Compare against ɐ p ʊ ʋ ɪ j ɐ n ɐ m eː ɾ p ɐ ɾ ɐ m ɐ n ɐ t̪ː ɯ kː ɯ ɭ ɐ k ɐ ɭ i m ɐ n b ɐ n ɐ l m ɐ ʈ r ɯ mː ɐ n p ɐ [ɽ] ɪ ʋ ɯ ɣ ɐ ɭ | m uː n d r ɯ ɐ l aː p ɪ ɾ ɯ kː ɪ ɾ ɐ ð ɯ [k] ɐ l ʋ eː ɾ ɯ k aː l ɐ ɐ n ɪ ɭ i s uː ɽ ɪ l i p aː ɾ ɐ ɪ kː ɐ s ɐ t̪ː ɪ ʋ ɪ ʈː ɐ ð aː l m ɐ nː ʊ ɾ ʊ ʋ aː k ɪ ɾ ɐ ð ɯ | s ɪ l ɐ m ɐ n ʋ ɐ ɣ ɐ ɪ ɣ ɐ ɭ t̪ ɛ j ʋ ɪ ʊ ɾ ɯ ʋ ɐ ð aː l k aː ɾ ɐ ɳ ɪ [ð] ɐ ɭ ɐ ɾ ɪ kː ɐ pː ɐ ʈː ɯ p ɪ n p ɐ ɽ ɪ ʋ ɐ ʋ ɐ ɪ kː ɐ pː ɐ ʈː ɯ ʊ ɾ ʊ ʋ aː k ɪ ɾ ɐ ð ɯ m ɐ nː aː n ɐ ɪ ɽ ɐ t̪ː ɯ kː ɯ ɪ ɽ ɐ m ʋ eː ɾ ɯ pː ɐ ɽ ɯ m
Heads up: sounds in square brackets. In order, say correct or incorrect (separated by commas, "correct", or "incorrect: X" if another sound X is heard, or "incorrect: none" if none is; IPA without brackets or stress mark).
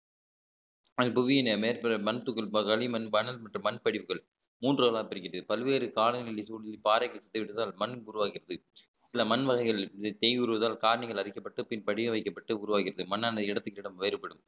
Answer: correct, incorrect: p, incorrect: ɣ